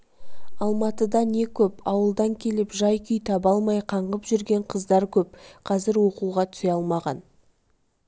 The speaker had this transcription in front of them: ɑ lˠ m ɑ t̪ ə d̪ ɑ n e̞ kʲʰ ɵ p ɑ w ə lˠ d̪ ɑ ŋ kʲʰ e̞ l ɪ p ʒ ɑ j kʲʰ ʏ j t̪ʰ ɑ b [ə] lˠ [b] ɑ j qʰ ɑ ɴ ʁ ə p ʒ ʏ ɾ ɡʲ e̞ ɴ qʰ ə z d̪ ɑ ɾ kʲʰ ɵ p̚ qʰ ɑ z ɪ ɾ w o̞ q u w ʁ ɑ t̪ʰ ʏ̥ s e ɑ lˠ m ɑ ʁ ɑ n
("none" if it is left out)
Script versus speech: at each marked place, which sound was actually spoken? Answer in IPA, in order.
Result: ɑ, m

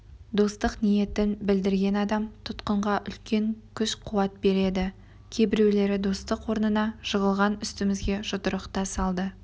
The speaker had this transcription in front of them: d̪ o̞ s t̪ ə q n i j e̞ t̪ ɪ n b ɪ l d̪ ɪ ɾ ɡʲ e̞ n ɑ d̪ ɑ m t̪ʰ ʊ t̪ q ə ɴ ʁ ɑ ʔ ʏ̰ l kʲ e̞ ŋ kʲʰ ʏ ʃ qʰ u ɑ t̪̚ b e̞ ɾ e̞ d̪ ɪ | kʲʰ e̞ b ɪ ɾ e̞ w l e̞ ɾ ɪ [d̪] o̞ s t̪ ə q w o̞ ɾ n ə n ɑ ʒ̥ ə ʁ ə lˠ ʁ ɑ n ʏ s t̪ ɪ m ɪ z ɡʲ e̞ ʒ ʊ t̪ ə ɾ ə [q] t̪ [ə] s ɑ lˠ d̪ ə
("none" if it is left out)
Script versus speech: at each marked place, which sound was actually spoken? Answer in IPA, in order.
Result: d̪, q, ɑ

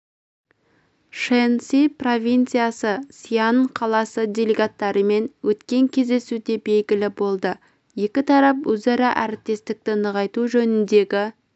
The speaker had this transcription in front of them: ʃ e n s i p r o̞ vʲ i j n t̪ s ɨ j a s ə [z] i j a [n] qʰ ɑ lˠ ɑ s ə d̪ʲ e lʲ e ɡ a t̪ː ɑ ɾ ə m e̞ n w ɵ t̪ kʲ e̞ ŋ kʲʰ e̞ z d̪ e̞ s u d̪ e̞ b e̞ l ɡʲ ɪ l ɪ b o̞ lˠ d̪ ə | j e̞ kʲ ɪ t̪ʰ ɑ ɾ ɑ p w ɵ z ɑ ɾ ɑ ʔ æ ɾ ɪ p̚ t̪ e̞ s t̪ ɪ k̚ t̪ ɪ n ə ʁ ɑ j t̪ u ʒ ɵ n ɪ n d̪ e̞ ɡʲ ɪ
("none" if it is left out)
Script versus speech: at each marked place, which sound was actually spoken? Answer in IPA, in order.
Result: s, n

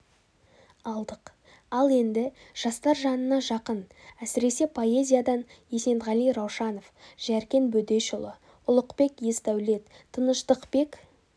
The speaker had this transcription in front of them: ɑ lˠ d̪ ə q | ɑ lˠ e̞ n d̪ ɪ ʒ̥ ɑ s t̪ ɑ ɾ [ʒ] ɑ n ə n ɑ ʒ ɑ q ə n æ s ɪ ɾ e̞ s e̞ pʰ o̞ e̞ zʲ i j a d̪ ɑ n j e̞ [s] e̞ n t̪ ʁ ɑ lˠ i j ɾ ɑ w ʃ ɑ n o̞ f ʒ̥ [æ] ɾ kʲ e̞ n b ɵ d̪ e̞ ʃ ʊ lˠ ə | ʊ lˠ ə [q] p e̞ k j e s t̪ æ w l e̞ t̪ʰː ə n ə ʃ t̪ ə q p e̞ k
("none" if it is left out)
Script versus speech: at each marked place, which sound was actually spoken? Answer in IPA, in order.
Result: ʒ, s, æ, q

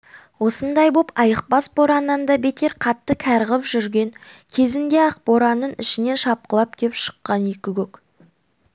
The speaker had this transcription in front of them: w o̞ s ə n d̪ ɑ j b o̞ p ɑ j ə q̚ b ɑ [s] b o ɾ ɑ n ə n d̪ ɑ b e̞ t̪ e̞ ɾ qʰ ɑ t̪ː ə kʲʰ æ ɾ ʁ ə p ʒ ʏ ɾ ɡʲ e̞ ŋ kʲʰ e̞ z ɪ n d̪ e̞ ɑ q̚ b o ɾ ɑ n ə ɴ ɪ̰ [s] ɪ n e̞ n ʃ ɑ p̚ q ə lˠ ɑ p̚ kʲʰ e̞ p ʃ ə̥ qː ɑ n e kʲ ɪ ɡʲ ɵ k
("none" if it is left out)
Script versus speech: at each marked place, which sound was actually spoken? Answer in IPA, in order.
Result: s, ʃ

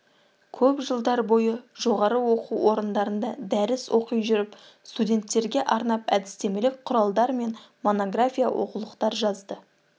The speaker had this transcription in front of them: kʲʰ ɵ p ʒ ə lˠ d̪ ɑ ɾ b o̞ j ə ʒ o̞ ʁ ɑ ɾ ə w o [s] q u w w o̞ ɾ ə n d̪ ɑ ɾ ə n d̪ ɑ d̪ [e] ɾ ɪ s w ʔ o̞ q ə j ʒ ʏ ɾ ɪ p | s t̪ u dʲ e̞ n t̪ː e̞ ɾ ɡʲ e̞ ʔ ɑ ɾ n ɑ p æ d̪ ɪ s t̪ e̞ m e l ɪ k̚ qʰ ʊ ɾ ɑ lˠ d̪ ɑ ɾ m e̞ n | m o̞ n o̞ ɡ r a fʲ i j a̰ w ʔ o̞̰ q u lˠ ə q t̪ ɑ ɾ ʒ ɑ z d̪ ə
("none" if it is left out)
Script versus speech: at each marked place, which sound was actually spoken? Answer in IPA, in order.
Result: none, æ

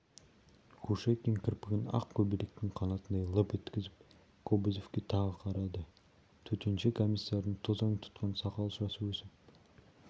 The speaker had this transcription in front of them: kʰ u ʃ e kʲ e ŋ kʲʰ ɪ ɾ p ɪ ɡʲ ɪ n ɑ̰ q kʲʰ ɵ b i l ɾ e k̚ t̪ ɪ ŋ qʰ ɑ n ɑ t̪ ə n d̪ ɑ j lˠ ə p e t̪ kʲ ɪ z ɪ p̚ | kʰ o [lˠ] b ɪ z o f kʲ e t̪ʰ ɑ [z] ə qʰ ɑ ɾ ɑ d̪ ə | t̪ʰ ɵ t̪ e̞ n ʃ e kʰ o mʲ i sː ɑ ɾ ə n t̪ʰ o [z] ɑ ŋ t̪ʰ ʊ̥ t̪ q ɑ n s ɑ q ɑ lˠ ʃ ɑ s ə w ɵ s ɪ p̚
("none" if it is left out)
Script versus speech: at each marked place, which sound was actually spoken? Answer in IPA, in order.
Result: none, ʁ, z

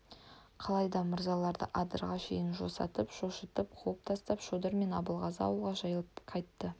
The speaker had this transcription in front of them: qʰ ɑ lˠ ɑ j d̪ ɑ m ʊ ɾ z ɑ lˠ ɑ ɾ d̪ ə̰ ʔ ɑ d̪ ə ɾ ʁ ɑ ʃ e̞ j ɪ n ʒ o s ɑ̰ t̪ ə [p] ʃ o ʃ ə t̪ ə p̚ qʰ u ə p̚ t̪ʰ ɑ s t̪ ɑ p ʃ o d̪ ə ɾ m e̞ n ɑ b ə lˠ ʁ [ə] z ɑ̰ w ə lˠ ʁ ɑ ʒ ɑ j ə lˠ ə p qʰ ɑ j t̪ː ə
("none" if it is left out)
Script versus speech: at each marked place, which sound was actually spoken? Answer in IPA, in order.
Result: p, ɑ

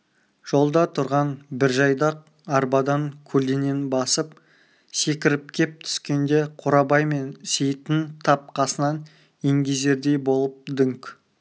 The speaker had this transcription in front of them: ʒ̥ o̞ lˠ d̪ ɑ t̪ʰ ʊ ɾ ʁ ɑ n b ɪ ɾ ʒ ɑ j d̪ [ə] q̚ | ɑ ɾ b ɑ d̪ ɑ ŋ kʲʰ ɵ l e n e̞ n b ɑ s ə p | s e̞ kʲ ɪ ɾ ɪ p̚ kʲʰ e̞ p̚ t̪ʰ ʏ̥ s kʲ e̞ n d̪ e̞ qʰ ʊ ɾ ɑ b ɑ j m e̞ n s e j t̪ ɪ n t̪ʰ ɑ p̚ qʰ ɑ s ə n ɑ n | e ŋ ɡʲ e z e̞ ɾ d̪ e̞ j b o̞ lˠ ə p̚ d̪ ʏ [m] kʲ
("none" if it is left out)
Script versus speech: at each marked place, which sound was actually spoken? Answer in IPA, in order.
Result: ɑ, ŋ

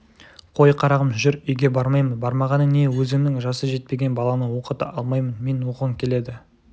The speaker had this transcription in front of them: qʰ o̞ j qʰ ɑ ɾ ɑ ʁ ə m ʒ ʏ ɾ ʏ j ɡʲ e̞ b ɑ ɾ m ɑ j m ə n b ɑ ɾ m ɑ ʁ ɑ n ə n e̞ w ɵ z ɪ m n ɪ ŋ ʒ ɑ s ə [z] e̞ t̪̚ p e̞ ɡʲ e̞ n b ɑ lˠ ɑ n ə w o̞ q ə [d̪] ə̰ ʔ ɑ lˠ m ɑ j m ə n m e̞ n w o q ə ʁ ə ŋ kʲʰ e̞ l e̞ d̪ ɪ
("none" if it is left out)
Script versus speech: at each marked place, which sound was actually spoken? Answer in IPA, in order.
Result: ʒ, t̪

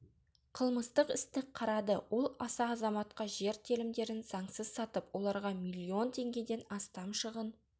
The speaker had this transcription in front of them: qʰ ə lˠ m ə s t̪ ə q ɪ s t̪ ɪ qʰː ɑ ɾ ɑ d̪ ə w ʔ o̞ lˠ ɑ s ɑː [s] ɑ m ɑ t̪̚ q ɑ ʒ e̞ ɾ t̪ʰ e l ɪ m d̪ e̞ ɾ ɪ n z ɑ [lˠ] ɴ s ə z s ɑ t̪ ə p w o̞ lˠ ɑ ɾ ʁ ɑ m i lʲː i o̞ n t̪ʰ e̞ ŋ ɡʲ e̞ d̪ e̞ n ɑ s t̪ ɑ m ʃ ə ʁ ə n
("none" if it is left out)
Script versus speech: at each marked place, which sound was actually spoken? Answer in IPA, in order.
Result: z, none

